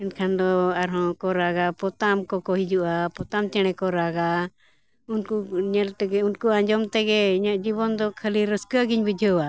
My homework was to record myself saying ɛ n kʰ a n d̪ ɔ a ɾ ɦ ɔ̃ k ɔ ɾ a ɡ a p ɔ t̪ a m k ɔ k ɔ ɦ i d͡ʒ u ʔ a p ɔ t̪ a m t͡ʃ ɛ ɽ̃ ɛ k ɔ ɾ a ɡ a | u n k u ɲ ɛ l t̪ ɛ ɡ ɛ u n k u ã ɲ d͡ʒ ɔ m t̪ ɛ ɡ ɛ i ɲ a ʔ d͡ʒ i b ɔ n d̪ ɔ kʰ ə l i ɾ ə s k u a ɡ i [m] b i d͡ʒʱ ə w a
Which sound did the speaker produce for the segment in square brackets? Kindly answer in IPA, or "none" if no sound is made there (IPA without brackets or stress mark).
ɲ